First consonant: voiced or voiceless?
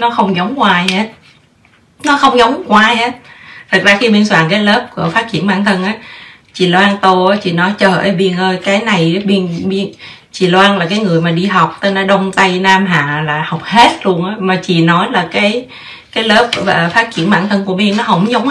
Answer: voiced